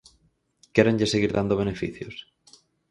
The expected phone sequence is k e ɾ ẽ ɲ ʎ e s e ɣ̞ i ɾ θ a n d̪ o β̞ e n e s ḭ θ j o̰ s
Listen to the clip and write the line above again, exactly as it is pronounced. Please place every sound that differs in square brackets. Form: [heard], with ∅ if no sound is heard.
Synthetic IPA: k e ɾ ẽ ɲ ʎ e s e ɣ̞ i ɾ [ð] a n d̪ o β̞ e n e [f] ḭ θ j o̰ s